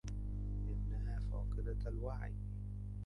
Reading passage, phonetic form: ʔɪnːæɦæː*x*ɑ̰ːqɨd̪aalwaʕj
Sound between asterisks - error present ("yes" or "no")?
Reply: yes